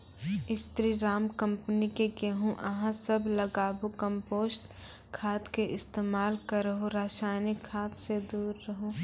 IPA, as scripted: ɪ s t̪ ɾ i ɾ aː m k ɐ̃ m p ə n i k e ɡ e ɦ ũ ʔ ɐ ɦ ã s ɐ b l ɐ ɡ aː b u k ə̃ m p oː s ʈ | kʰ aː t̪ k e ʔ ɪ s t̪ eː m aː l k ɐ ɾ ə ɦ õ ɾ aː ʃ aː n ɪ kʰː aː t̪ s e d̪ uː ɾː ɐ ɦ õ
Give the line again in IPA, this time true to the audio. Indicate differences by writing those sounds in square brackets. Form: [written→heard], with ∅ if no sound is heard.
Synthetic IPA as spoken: ɪ s t̪ ɾ i ɾ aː m k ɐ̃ m p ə n i k e ɡ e ɦ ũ ʔ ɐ ɦ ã s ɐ b l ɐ ɡ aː b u k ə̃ m p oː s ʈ | kʰ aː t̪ k e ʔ ɪ s t̪ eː m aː l k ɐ ɾ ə ɦ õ ɾ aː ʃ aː n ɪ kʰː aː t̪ s e d̪ uː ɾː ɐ ɦ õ